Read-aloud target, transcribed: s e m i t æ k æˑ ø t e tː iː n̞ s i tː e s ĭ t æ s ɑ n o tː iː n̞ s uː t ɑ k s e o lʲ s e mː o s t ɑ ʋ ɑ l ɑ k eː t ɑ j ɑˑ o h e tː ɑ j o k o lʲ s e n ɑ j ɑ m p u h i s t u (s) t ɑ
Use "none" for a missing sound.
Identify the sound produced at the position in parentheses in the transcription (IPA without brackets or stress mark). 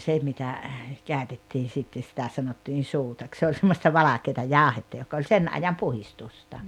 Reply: s